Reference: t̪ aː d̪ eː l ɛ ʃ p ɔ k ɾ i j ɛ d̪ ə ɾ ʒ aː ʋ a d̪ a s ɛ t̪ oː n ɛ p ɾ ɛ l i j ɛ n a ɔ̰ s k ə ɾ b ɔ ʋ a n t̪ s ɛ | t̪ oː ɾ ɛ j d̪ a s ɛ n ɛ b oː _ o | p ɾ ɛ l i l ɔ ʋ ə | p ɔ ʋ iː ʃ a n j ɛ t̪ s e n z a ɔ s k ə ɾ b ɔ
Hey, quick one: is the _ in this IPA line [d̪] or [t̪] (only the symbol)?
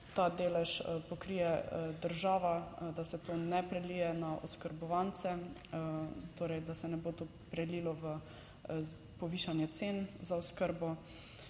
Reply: t̪